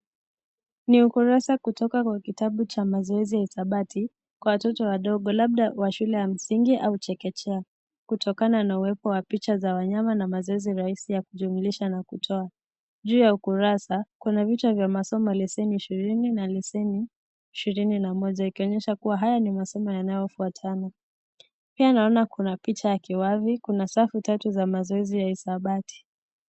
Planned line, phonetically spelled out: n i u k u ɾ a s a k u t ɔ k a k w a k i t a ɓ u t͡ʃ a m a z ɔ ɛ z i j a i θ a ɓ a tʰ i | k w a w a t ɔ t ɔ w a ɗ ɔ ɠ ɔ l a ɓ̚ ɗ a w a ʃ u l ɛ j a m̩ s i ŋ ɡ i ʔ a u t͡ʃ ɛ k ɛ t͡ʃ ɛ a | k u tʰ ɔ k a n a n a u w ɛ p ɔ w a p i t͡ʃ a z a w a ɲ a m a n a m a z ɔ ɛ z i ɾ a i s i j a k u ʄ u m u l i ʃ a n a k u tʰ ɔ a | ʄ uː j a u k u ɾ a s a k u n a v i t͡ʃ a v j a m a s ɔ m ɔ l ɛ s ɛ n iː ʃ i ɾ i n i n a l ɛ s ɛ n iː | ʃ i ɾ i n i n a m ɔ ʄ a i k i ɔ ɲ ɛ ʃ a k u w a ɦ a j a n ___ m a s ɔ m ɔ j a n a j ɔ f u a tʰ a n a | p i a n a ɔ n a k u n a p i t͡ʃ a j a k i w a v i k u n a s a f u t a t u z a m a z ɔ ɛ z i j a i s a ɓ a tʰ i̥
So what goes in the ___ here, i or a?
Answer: i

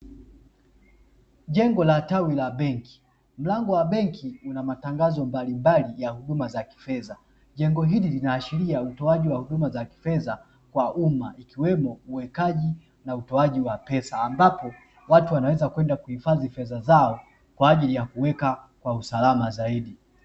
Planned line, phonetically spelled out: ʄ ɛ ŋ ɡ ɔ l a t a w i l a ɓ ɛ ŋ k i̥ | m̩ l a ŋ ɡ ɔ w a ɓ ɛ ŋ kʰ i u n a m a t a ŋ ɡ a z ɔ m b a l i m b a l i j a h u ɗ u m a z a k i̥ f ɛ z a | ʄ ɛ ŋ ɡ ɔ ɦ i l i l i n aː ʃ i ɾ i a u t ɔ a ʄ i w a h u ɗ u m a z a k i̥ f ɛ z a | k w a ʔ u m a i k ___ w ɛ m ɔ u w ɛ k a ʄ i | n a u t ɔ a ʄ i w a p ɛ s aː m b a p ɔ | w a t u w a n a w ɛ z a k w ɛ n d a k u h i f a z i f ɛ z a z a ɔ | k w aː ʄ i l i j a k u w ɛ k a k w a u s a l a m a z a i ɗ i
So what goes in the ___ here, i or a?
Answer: i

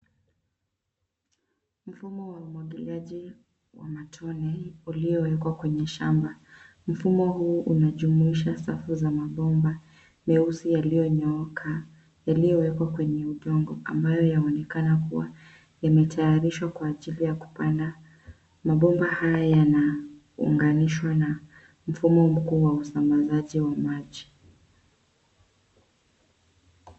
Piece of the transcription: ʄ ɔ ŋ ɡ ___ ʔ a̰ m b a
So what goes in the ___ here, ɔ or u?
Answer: ɔ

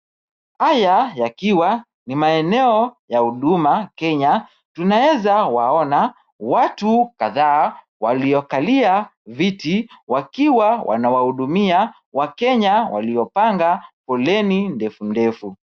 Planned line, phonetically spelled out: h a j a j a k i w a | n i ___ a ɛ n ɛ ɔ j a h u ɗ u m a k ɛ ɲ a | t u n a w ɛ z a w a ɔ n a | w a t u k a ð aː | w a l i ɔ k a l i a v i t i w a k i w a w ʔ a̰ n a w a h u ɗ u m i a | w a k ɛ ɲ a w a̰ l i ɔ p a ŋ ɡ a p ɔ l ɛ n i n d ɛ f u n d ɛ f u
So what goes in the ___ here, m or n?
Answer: m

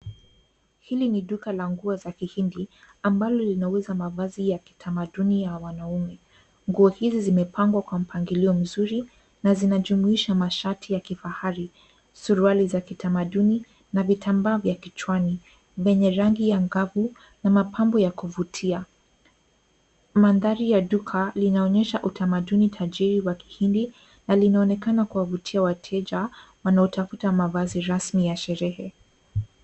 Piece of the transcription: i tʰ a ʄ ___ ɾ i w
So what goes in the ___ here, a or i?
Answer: i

